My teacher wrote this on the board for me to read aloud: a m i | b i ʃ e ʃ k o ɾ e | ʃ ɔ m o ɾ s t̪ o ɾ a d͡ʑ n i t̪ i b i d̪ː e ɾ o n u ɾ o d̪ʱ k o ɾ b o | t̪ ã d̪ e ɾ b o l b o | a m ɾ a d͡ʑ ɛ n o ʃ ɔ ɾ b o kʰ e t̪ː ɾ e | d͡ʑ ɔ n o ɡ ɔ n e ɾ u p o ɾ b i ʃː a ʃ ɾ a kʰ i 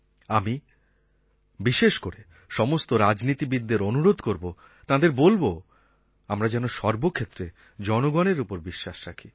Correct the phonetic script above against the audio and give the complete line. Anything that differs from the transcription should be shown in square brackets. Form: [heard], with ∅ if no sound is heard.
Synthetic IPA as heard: a m i | b i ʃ e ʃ k o ɾ e | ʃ ɔ m o [∅] s t̪ o ɾ a d͡ʑ n i t̪ i b i d̪ː e ɾ o n u ɾ o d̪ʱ k o ɾ b o | t̪ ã d̪ e ɾ b o l b o | a m ɾ a d͡ʑ ɛ n o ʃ ɔ ɾ b o kʰ e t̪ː ɾ e | d͡ʑ ɔ n o ɡ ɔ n e ɾ u p o ɾ b i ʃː a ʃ ɾ a kʰ i